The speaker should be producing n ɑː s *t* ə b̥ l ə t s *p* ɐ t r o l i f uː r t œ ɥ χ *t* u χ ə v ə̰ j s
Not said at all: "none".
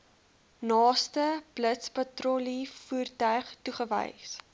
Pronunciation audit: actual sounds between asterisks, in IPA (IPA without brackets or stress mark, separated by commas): t, p, t